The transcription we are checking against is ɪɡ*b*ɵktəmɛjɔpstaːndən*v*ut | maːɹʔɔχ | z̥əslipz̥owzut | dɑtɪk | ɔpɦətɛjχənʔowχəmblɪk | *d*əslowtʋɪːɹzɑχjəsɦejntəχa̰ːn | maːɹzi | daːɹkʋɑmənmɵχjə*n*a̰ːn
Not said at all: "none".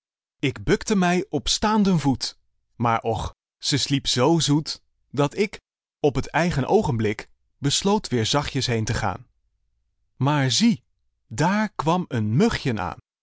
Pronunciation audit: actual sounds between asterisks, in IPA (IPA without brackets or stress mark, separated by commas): b, v, b, n